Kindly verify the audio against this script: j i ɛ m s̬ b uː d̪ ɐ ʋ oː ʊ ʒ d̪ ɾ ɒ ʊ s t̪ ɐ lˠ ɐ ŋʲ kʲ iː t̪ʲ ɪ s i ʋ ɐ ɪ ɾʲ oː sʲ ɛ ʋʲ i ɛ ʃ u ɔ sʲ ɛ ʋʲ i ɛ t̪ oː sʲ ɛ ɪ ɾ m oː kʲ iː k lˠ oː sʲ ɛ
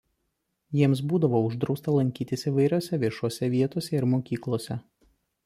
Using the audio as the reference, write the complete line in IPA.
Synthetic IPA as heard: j i ɛ m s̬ b uː d̪ ɐ ʋ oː ʊ ʒ d̪ ɾ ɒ ʊ s t̪ ɐ lˠ ɐ ŋʲ kʲ iː t̪ʲ ɪ s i ʋ ɐ ɪ ɾʲ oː sʲ ɛ ʋʲ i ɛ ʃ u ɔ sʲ ɛ ʋʲ i ɛ t̪ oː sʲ ɛ ɪ ɾ m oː kʲ iː k lˠ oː sʲ ɛ

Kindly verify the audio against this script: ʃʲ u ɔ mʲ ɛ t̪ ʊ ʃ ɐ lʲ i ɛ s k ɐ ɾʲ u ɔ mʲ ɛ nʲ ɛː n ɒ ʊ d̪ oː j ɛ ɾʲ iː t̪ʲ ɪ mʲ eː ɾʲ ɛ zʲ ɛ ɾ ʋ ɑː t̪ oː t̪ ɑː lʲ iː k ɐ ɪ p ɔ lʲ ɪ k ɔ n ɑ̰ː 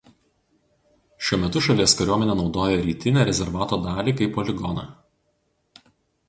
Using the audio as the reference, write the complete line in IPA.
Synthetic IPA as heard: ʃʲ u ɔ mʲ ɛ t̪ ʊ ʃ ɐ lʲ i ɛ s k ɐ ɾʲ u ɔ mʲ ɛ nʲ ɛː n ɒ ʊ d̪ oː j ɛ ɾʲ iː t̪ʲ ɪ nʲ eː ɾʲ ɛ zʲ ɛ ɾ ʋ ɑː t̪ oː d̪ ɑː lʲ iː k ɐ ɪ p ɔ lʲ ɪ ɡ ɔ n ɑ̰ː

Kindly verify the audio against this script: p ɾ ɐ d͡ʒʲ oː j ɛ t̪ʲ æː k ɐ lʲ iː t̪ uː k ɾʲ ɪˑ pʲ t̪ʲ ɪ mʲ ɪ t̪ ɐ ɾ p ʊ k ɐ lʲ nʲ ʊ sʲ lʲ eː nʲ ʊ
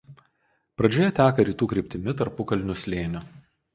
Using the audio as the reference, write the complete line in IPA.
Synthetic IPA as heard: p ɾ ɐ d͡ʒʲ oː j ɛ t̪ʲ æː k ɐ ɾʲ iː t̪ uː k ɾʲ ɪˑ pʲ t̪ʲ ɪ mʲ ɪ t̪ ɐ ɾ p ʊ k ɐ lʲ nʲ ʊ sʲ lʲ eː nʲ ʊ

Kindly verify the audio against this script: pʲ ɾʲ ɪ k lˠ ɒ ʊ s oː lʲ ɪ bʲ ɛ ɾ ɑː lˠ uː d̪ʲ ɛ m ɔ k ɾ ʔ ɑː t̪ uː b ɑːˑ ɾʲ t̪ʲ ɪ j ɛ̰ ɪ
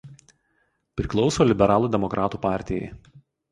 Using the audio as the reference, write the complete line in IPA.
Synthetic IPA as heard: pʲ ɾʲ ɪ k lˠ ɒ ʊ s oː lʲ ɪ bʲ ɛ ɾ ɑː lˠ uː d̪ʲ ɛ m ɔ k ɾ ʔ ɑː t̪ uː p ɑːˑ ɾʲ t̪ʲ ɪ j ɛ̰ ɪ

